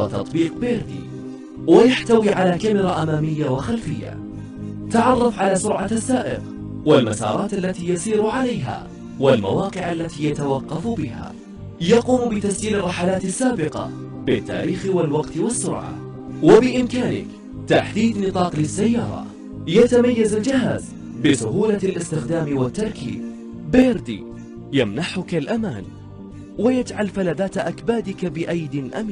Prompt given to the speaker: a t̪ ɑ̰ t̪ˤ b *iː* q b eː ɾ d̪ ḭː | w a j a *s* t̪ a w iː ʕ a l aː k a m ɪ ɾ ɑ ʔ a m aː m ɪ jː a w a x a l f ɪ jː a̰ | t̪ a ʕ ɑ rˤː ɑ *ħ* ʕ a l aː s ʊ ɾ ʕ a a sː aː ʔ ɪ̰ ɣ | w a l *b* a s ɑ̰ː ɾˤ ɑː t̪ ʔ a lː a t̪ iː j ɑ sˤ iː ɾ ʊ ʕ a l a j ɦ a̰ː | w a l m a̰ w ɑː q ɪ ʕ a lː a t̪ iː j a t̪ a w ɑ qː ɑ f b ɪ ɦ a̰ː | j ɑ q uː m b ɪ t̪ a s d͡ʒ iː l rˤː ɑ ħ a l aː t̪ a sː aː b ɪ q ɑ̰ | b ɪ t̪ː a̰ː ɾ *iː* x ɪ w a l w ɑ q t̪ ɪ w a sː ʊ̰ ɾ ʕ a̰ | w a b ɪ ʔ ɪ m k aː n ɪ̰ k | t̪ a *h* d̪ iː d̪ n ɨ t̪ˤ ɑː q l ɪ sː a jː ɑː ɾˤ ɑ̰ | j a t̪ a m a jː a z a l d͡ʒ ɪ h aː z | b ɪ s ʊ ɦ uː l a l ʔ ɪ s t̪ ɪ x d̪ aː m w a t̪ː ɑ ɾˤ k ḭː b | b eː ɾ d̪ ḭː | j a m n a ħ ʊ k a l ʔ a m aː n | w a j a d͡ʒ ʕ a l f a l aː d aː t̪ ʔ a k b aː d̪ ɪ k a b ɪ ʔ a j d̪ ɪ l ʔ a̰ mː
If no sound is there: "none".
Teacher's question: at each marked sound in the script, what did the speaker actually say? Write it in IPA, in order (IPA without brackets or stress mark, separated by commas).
iː, ħ, f, m, iː, ħ